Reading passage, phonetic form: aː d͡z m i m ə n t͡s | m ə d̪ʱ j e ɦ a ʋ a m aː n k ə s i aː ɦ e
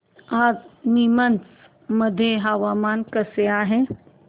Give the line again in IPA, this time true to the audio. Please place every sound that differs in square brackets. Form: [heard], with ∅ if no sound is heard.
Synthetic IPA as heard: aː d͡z [n] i m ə n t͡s | m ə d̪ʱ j e ɦ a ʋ a m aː n k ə s [e] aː ɦ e